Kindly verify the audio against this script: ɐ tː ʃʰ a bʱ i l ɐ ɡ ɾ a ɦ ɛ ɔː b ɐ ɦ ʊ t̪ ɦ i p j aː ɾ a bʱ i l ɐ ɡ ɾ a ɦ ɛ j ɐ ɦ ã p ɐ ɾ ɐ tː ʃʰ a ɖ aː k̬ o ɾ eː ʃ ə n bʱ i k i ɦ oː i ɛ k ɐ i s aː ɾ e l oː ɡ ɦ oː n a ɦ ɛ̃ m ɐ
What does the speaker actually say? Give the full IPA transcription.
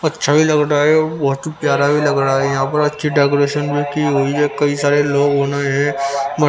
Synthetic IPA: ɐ tː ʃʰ a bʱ i l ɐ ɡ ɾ a ɦ ɛ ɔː b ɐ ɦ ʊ t̪ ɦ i p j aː ɾ a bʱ i l ɐ ɡ ɾ a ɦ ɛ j ɐ ɦ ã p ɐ ɾ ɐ tː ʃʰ i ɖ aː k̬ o ɾ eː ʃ ə n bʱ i k i ɦ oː i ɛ k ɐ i s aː ɾ e l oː ɡ ɦ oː n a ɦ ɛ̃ m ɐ